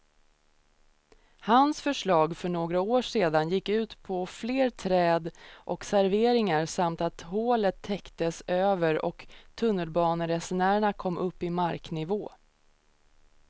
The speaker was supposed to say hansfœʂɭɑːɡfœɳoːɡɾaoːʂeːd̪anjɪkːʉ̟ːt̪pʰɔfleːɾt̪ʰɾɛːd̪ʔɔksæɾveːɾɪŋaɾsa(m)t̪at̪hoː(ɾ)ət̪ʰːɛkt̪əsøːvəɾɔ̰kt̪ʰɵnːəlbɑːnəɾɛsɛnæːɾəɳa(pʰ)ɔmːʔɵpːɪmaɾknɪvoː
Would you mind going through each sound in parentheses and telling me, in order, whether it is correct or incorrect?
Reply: correct, incorrect, incorrect

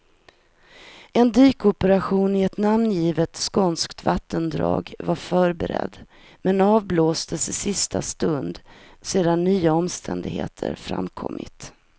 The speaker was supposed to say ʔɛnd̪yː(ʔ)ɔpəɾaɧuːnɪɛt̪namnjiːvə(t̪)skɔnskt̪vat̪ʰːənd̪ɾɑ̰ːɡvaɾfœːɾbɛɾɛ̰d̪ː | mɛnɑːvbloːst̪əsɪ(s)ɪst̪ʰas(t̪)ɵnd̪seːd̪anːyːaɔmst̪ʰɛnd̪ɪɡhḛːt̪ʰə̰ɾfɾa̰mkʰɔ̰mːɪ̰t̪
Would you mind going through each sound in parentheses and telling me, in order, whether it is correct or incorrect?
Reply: incorrect, correct, correct, correct

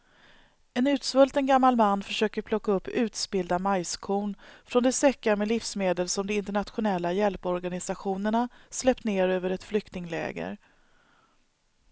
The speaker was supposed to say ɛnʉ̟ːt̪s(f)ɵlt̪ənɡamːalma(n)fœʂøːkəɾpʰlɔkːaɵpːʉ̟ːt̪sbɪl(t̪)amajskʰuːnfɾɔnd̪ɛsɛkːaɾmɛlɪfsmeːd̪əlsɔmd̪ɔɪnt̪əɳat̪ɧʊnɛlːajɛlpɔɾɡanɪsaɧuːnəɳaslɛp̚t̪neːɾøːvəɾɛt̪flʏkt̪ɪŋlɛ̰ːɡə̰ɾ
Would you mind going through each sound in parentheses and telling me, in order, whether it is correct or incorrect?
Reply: incorrect, incorrect, incorrect

